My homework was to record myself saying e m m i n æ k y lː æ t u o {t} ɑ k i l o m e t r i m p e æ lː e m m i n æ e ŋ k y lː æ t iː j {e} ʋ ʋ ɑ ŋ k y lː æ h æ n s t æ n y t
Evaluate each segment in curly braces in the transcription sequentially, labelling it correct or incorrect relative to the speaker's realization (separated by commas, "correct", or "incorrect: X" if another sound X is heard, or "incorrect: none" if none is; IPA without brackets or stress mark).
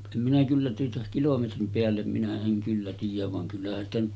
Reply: correct, incorrect: æ